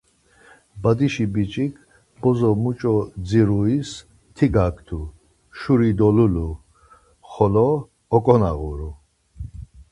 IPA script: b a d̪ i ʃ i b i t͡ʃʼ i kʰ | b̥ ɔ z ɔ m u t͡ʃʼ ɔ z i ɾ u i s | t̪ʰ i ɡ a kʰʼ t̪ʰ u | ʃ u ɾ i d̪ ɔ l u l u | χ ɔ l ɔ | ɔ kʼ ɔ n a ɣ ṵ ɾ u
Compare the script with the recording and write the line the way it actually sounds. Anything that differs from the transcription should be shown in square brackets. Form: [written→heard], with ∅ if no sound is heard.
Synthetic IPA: b a d̪ i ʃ i b i t͡ʃʼ i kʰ | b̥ ɔ z ɔ m u t͡ʃʼ ɔ [z→d͡z] i ɾ u i s | t̪ʰ i ɡ a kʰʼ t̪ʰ u | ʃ u ɾ i d̪ ɔ l u l u | χ ɔ l ɔ | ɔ kʼ ɔ n a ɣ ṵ ɾ u